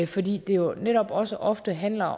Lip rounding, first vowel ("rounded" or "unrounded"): rounded